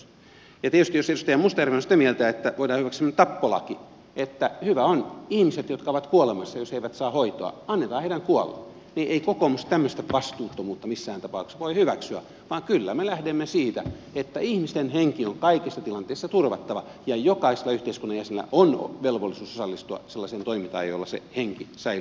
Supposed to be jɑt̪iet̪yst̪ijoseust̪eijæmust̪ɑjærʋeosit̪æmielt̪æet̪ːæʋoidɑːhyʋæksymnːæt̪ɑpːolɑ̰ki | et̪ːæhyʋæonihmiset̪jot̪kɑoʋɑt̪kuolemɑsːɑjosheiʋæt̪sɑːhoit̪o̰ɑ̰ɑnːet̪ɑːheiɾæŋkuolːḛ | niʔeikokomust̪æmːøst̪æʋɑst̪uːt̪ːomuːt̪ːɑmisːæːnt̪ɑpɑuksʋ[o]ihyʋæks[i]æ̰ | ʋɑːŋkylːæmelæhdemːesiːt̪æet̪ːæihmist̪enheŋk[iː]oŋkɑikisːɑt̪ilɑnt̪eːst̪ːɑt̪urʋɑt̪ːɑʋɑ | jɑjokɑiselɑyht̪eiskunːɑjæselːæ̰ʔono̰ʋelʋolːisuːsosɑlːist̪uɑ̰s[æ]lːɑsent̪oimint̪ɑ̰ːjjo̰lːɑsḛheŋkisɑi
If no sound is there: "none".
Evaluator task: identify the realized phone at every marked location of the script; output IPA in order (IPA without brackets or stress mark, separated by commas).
o, y, i, e